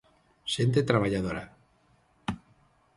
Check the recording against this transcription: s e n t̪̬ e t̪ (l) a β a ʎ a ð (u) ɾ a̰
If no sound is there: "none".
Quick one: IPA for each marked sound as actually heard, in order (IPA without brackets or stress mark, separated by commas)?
ɾ, o